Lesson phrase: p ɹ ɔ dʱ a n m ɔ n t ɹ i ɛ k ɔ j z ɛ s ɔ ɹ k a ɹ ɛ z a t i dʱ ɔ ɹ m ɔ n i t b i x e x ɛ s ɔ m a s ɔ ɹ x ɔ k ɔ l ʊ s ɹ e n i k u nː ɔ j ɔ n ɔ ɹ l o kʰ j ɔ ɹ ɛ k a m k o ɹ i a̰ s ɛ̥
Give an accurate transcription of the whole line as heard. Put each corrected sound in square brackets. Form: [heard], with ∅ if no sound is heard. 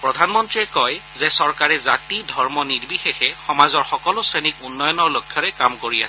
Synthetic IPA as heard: p ɹ ɔ dʱ a n m ɔ n t ɹ i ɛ k ɔ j z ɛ s ɔ ɹ k a ɹ ɛ z a t i dʱ ɔ ɹ m ɔ n i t b i x e x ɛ [x] ɔ m a [z] ɔ ɹ x ɔ k ɔ l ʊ s ɹ e n i k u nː ɔ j ɔ n ɔ ɹ l o kʰ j ɔ ɹ ɛ k a m k o ɹ i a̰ s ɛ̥

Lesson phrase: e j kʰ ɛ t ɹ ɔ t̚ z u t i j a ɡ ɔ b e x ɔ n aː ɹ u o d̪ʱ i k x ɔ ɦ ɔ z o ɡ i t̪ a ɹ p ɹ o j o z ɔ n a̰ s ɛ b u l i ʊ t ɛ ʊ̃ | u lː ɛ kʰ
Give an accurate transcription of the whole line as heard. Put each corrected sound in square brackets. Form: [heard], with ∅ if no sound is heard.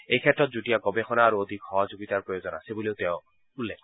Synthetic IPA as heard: e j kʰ ɛ t ɹ ɔ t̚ z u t i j a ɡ ɔ b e x ɔ n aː ɹ u o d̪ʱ i k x ɔ ɦ ɔ z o ɡ i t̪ a ɹ p ɹ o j o z ɔ n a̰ s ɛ b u l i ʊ t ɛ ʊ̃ | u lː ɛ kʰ

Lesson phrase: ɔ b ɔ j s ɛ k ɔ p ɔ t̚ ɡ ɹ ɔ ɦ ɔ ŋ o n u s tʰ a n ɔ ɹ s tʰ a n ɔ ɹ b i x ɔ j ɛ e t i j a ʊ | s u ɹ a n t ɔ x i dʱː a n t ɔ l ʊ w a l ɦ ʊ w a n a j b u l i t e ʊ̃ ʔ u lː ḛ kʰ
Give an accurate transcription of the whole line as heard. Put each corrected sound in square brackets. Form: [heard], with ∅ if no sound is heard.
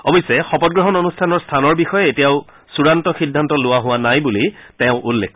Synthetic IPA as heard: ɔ b ɔ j s ɛ [x] ɔ p ɔ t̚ ɡ ɹ ɔ ɦ ɔ [n] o n u s tʰ a n ɔ ɹ s tʰ a n ɔ ɹ b i x ɔ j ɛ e t i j a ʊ | s u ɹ a n t ɔ x i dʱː a n t ɔ l ʊ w a [∅] ɦ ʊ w a n a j b u l i t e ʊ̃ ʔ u lː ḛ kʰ

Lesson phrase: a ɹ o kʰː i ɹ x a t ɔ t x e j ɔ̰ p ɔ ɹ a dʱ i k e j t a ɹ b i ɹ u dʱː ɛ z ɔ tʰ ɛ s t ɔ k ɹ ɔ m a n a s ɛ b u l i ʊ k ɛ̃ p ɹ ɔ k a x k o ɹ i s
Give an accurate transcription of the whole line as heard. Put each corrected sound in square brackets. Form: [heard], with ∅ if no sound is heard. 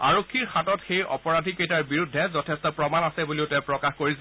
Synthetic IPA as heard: a ɹ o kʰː i ɹ x a t ɔ t x e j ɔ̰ p ɔ ɹ a dʱ i k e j t a ɹ b i ɹ u dʱː ɛ z ɔ tʰ ɛ s t ɔ [p] ɹ ɔ m a n a s ɛ b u l i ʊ [t] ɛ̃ p ɹ ɔ k a x k o ɹ i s

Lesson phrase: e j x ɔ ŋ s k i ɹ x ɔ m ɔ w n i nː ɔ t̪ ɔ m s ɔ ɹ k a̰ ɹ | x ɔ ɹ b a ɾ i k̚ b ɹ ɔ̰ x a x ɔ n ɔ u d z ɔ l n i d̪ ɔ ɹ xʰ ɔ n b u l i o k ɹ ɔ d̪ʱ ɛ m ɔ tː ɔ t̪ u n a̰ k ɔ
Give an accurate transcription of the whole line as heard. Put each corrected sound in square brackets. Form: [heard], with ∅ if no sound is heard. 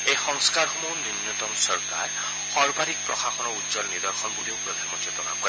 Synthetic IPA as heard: e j x ɔ ŋ s k [a] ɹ x ɔ m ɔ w n i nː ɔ t̪ ɔ m s ɔ ɹ k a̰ ɹ | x ɔ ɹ b a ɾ i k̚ [p] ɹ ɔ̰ x a x ɔ n ɔ u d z ɔ l n i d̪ ɔ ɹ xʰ ɔ n b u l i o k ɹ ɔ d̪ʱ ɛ m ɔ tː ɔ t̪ [ɔ] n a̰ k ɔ

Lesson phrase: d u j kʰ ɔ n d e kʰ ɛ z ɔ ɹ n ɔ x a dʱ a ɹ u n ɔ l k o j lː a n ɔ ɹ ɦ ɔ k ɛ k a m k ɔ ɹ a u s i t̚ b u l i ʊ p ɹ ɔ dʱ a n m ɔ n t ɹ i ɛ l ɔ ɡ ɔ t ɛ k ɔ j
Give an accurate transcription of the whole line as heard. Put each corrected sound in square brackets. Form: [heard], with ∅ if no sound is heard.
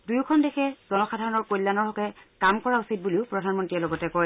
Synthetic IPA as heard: d u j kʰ ɔ n d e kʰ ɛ z ɔ [∅] n ɔ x a dʱ a ɹ [ɔ] n ɔ [ɹ] k o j lː a n ɔ ɹ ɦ ɔ k ɛ k a m k ɔ ɹ a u s i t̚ b u l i ʊ p ɹ ɔ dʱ a n m ɔ n t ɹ i ɛ l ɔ ɡ ɔ t ɛ k ɔ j

